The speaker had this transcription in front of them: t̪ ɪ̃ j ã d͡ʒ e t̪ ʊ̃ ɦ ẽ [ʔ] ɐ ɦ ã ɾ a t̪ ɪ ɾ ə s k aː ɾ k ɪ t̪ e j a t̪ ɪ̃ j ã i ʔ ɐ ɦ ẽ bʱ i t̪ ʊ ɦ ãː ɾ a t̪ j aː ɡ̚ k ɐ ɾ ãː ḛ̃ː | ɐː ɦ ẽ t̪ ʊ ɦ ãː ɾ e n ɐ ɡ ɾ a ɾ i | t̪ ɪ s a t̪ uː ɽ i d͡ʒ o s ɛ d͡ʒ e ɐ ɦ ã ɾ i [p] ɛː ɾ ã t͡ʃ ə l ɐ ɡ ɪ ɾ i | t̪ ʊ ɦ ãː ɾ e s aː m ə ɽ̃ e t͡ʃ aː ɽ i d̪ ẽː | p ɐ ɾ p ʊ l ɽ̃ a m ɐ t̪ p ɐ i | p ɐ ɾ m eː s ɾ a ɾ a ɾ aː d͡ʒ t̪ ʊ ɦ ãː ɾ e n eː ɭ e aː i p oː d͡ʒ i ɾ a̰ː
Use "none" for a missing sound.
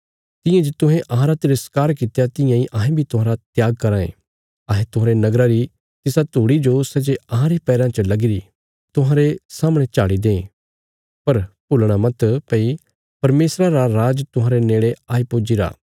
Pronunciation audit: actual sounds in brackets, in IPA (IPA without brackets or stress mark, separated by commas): ʔ, p